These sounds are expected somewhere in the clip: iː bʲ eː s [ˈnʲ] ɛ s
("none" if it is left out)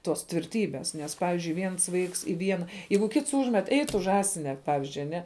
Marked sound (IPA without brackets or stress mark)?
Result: nʲ